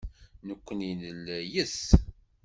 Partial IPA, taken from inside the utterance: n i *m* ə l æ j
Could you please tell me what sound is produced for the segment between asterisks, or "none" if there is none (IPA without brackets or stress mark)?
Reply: n